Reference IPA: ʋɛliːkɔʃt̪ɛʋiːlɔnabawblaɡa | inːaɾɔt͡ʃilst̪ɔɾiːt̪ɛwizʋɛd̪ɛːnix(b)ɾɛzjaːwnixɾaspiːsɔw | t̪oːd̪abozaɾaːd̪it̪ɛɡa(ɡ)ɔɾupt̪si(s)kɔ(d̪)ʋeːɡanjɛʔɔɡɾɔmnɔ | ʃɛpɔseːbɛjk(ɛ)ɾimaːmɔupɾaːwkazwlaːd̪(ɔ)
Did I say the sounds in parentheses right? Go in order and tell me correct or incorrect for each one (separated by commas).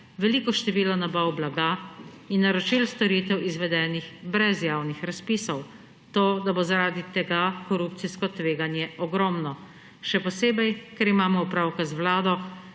correct, incorrect, correct, incorrect, correct, correct